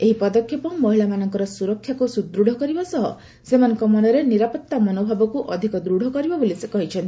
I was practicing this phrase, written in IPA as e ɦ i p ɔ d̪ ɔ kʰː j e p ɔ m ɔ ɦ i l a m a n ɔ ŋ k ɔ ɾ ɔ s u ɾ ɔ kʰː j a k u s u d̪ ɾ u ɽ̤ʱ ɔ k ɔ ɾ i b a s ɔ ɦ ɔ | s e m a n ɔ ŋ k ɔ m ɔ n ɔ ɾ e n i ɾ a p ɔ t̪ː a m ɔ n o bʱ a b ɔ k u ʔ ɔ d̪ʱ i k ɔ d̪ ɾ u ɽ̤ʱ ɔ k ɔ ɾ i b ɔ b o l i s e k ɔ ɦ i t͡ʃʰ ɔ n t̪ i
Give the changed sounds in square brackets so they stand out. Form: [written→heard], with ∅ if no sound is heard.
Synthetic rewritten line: e ɦ i p ɔ d̪ ɔ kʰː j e p ɔ m ɔ ɦ i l a m a n ɔ ŋ k ɔ ɾ ɔ s u ɾ ɔ kʰː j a k u s u d̪ ɾ u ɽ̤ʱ ɔ k ɔ ɾ i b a s ɔ ɦ ɔ | s e m a n ɔ ŋ k ɔ m ɔ n ɔ ɾ e n i ɾ a p ɔ t̪ː a m ɔ n o bʱ a b ɔ k u ʔ ɔ d̪ʱ i k ɔ d̪ ɾ u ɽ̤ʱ ɔ k ɔ ɾ i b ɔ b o l i s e k ɔ ɦ i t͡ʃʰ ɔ n t̪ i